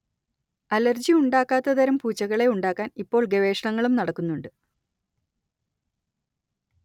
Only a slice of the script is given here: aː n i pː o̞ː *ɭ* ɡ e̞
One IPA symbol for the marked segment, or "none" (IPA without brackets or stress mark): ɭ